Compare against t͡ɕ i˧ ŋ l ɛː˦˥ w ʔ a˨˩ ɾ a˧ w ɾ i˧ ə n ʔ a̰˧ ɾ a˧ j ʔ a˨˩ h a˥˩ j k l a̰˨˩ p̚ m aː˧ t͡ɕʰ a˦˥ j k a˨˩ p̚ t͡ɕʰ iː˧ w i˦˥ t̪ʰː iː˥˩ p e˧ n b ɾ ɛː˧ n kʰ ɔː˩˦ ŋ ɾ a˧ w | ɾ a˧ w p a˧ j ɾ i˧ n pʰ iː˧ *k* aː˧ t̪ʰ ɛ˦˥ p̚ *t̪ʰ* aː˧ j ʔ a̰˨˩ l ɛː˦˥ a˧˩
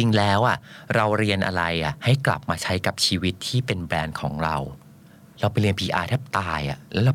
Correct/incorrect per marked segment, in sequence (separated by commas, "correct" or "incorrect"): incorrect, incorrect